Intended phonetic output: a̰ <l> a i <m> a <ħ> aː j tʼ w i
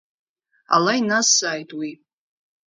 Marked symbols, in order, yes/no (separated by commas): yes, no, no